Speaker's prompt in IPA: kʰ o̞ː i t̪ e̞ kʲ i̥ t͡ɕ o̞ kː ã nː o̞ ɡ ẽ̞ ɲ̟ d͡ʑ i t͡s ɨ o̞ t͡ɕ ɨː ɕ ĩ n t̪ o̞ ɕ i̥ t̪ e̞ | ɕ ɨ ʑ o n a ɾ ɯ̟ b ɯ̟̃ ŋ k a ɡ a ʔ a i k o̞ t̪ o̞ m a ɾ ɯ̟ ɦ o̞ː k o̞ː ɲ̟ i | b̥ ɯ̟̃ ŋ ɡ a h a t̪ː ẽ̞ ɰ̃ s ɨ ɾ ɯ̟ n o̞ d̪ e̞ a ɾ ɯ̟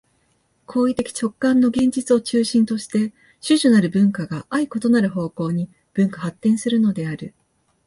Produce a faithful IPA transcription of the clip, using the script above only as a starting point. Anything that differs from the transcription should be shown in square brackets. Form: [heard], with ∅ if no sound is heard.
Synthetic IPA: kʰ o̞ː i t̪ e̞ kʲ i̥ t͡ɕ o̞ kː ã nː o̞ ɡ ẽ̞ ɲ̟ d͡ʑ i t͡s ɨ o̞ t͡ɕ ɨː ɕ ĩ n t̪ o̞ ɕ i̥ t̪ e̞ | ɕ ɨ ʑ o n a ɾ ɯ̟ b ɯ̟̃ ŋ k a ɡ a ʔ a i k o̞ t̪ o̞ [n] a ɾ ɯ̟ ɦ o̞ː k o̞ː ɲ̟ i | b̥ ɯ̟̃ ŋ [k] a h a t̪ː ẽ̞ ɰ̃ s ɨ ɾ ɯ̟ n o̞ d̪ e̞ a ɾ ɯ̟